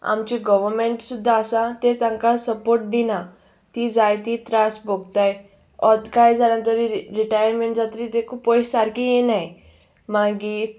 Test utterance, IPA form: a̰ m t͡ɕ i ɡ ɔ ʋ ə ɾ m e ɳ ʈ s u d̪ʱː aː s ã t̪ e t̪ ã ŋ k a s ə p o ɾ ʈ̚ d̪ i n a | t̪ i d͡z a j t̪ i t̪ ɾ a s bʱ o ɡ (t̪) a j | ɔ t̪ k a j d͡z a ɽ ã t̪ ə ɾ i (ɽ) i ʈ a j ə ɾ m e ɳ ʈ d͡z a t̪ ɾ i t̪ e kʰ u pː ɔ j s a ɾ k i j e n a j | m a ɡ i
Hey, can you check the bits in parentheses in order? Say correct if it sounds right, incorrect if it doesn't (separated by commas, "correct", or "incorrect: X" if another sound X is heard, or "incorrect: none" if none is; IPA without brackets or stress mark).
correct, incorrect: ɾ